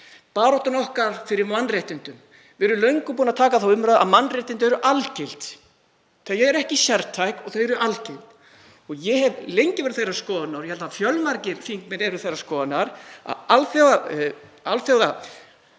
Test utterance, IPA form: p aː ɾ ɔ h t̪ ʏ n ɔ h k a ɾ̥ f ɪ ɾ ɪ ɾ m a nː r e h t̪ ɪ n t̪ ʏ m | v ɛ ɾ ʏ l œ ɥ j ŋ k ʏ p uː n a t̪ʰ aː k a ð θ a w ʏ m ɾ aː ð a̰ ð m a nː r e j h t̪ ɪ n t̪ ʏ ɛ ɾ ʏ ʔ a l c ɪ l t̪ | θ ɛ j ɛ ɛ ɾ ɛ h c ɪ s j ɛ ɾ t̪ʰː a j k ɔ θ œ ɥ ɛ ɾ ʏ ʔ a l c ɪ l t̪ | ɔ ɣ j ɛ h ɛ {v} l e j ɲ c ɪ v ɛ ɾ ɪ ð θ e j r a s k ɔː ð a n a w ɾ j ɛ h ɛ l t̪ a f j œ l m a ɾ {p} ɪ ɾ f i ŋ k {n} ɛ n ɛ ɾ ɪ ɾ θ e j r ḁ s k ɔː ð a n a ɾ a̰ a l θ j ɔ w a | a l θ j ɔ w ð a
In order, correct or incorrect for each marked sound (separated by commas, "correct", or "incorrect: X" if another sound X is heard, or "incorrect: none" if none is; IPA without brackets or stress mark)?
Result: correct, incorrect: c, incorrect: m